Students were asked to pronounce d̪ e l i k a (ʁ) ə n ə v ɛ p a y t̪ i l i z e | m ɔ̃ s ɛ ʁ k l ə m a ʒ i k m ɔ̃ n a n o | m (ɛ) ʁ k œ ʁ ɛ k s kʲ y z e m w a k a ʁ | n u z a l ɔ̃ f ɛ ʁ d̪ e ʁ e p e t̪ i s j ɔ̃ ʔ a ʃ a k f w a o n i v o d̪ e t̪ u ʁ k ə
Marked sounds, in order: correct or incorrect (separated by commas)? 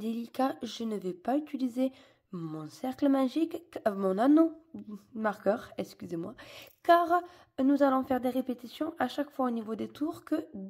incorrect, incorrect